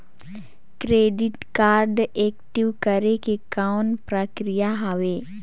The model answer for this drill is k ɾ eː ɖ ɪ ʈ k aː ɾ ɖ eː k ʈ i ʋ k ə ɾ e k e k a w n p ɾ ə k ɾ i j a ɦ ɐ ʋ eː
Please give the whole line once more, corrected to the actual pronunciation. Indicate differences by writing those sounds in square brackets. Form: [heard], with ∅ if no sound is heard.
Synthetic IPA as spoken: k ɾ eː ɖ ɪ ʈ k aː ɾ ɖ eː k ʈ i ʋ k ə ɾ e k e k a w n p ɾ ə k ɾ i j a ɦ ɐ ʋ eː

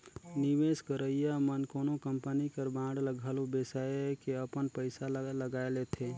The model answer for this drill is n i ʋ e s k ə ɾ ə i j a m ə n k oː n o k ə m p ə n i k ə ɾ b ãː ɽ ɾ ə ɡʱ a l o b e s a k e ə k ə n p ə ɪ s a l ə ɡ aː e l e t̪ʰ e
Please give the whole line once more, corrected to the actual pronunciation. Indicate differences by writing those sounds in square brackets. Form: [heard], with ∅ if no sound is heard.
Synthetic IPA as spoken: n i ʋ e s k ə ɾ ə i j a m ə n k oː n o k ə m p ə n i k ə ɾ b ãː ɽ [l] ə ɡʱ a l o b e s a k e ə [p] ə n p ə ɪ s a l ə ɡ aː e l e t̪ʰ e

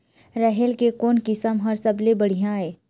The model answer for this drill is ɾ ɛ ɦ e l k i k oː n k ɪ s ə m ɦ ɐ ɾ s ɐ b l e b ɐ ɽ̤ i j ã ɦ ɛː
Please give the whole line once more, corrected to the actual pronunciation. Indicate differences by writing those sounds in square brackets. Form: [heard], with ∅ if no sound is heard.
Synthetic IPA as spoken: ɾ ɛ ɦ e l k [e] k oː n k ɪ s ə m ɦ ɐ ɾ s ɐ b l e b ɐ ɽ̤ i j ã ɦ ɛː

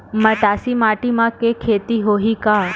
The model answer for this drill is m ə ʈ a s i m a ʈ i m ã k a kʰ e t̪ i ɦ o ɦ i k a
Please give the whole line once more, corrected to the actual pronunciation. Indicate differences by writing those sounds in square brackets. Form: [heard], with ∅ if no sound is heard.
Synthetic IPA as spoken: m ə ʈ a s i m a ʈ i m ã k [e] kʰ e t̪ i ɦ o ɦ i k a

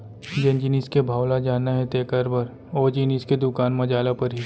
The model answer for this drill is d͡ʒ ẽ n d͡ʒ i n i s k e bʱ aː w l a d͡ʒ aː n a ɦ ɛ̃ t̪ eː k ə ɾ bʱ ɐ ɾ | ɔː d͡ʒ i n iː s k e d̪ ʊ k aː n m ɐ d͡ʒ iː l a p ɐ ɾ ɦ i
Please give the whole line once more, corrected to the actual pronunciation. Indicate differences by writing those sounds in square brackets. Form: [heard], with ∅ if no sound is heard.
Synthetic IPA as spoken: d͡ʒ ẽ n d͡ʒ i n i s k e bʱ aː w l a d͡ʒ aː n a ɦ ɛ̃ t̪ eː k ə ɾ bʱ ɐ ɾ | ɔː d͡ʒ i n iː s k e d̪ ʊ k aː n m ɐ d͡ʒ [aː] l a p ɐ ɾ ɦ i

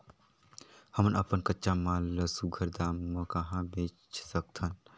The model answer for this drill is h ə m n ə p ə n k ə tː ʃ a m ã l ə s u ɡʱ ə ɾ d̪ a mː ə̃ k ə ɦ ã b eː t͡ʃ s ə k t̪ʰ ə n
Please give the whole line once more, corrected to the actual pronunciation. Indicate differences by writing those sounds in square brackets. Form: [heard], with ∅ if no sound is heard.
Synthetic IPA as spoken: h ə m n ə p ə n k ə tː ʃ a m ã l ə s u ɡʱ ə ɾ d̪ a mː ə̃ k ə ɦ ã b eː t͡ʃ s ə k t̪ʰ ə n

